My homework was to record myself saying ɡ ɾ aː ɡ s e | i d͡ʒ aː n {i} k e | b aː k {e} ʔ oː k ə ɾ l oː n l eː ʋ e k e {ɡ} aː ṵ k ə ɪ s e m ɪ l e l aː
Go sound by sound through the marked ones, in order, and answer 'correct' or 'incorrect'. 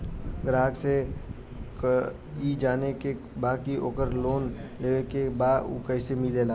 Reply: incorrect: e, incorrect: i, incorrect: b

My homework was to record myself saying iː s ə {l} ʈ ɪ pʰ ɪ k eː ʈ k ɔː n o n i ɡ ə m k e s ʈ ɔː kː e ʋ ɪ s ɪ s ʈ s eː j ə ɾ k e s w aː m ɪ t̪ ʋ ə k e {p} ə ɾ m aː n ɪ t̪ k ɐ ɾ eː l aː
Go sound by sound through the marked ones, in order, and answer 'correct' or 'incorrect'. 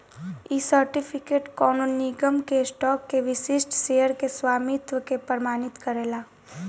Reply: incorrect: ɾ, correct

